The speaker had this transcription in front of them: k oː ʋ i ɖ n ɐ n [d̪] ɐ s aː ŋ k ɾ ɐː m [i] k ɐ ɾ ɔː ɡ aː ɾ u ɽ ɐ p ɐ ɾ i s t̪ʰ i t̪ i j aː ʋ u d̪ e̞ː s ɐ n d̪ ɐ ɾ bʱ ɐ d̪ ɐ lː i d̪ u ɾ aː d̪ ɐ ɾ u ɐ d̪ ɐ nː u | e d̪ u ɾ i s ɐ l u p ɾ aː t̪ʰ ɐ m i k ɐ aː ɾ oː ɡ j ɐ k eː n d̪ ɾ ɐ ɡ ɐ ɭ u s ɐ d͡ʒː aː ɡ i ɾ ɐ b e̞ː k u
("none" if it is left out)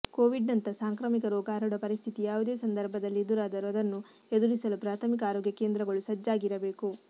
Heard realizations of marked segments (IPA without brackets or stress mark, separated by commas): t̪, i